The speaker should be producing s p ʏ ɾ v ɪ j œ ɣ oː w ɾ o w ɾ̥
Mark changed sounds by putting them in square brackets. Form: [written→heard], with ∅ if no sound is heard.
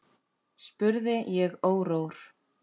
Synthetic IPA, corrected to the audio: s p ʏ ɾ [v→ð] ɪ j [œ→ɛ] ɣ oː w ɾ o w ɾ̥